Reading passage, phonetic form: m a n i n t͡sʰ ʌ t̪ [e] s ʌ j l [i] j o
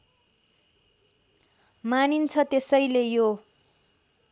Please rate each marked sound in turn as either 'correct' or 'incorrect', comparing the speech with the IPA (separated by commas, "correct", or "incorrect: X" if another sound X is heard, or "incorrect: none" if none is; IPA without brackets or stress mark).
correct, incorrect: e